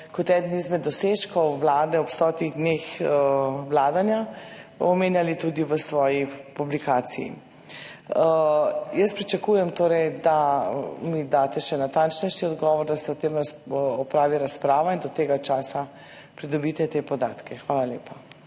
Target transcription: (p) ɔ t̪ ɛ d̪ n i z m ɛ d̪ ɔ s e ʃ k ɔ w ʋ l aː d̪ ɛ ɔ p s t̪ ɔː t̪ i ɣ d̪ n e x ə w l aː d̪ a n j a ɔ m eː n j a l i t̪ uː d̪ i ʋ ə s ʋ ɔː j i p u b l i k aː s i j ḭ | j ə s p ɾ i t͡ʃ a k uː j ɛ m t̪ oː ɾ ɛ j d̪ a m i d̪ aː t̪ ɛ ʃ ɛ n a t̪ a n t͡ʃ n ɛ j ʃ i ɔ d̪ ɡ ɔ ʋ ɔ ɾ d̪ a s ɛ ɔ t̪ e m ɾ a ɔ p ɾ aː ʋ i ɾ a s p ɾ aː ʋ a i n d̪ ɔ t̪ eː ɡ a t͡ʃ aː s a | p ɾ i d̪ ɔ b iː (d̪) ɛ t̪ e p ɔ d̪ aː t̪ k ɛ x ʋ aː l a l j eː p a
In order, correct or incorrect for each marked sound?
incorrect: k, incorrect: t̪

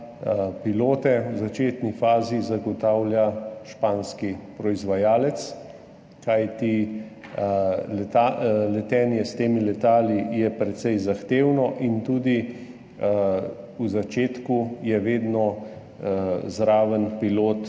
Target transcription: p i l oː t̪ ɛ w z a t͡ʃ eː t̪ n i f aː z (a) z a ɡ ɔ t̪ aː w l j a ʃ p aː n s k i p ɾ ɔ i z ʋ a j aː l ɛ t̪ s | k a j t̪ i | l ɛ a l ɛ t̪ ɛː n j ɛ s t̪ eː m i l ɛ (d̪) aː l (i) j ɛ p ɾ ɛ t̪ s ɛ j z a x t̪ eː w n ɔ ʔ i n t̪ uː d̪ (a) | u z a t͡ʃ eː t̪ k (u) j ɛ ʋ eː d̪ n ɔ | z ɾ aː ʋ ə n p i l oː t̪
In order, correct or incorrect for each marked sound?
incorrect: i, incorrect: t̪, correct, incorrect: i, correct

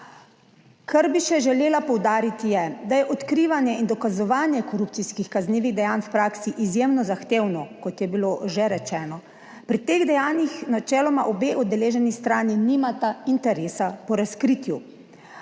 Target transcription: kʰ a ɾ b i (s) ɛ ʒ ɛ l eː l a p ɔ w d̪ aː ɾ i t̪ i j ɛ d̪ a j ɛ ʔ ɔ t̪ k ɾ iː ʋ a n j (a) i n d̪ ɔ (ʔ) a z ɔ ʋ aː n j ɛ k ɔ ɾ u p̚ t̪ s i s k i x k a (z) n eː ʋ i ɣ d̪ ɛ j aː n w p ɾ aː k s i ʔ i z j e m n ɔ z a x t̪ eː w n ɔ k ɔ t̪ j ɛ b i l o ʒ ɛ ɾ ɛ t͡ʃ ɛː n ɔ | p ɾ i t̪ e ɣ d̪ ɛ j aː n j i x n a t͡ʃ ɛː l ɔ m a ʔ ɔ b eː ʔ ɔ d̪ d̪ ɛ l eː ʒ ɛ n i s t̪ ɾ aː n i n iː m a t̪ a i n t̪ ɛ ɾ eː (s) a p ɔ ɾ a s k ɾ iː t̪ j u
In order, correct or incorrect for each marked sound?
incorrect: ʃ, incorrect: ɛ, incorrect: k, correct, correct

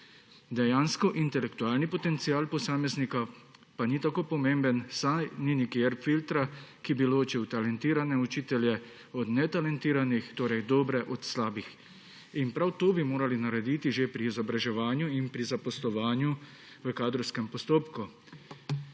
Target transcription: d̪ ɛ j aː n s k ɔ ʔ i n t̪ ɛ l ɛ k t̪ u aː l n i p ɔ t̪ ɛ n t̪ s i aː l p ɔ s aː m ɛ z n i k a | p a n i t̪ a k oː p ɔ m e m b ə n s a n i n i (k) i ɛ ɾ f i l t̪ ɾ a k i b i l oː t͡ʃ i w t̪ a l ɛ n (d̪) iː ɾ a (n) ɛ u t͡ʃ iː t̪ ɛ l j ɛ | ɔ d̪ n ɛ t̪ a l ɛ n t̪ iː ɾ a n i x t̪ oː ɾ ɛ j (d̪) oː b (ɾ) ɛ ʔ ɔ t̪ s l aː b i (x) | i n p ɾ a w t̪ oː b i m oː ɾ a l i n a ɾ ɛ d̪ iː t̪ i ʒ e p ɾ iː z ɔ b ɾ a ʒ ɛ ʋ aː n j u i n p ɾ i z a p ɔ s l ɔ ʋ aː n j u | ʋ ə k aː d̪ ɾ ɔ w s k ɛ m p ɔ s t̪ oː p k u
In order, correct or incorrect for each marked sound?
correct, incorrect: t̪, correct, correct, correct, correct

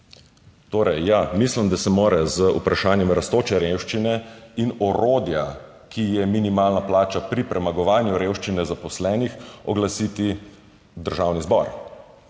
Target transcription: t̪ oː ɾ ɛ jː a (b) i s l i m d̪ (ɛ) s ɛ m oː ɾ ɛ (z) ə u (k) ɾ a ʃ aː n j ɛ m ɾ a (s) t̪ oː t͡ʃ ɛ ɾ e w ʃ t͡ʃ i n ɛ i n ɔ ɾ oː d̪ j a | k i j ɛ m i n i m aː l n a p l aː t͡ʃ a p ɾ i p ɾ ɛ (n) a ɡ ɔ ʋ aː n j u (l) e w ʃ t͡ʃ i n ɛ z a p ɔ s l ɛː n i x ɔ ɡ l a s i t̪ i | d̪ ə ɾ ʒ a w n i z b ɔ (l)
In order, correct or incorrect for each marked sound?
incorrect: m, incorrect: a, correct, incorrect: p, correct, incorrect: m, incorrect: ɾ, incorrect: ɾ

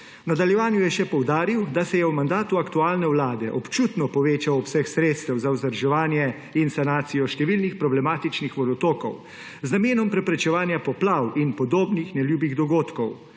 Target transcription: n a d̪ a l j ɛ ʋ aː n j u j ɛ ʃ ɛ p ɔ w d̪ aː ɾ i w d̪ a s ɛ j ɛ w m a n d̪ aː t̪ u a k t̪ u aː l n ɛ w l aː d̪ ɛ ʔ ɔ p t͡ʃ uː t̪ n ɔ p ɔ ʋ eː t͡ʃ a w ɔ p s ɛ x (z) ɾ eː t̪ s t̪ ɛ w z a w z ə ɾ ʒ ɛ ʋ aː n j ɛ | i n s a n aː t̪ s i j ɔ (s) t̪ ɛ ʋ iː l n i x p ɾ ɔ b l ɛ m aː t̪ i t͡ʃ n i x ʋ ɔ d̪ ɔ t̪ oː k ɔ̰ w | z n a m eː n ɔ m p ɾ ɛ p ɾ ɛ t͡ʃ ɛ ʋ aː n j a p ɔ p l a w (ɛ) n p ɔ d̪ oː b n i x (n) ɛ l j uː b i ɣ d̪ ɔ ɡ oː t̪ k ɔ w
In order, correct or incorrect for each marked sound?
incorrect: s, incorrect: ʃ, incorrect: i, correct

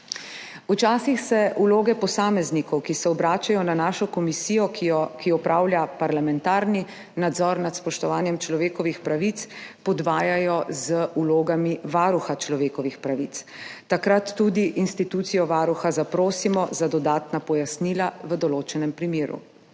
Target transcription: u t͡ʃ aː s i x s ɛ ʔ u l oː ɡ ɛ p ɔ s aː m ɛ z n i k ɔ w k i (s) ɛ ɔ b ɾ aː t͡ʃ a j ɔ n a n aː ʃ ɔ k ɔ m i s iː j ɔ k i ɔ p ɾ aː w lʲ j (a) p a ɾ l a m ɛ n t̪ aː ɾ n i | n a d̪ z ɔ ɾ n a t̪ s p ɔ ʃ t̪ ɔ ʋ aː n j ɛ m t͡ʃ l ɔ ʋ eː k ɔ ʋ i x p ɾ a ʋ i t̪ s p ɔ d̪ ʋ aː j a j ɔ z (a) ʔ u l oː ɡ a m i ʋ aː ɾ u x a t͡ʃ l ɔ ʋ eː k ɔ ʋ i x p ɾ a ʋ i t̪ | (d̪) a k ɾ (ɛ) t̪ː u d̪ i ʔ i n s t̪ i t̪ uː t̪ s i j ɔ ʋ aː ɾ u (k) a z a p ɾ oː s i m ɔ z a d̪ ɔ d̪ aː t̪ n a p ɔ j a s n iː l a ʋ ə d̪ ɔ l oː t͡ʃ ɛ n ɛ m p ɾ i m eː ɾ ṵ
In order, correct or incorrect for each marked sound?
correct, correct, incorrect: ə, incorrect: t̪, incorrect: a, incorrect: x

